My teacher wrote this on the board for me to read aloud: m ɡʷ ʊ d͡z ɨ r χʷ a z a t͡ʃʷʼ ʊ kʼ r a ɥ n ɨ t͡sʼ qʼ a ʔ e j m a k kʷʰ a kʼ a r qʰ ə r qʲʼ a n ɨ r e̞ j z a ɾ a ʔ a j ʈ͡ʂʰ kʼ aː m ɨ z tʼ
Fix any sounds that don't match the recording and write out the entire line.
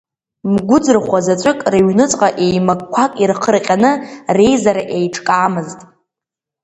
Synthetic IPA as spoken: m ɡʷ ʊ d͡z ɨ r χʷ a z a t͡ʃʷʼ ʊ kʼ r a ɥ n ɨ t͡sʼ qʼ a ʔ e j m a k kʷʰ a kʼ i r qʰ ə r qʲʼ a n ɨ r e̞ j z a ɾ a ʔ e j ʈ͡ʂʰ kʼ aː m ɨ z tʼ